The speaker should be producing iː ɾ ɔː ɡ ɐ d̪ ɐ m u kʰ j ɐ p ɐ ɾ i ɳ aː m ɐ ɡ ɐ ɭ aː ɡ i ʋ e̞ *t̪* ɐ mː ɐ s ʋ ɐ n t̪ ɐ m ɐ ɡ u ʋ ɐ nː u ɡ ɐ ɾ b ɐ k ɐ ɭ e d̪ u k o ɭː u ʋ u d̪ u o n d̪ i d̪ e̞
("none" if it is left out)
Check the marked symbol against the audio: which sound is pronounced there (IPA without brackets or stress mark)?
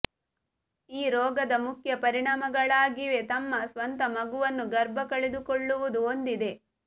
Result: t̪